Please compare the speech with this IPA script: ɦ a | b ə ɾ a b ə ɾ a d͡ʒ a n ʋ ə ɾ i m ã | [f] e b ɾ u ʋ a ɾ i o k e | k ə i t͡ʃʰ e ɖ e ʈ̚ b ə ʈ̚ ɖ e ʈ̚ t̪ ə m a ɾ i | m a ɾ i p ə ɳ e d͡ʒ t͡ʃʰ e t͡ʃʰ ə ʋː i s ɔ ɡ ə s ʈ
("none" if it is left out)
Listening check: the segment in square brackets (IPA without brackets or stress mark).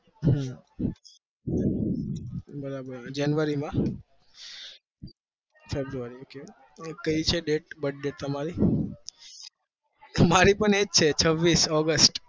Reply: f